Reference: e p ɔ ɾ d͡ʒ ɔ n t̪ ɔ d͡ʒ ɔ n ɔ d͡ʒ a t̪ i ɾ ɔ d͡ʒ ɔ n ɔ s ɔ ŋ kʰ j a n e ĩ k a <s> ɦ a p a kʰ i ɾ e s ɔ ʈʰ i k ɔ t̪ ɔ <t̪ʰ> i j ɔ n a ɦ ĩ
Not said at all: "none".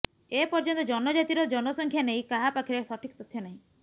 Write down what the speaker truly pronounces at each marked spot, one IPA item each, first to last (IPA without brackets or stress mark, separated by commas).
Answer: none, t̪ʰ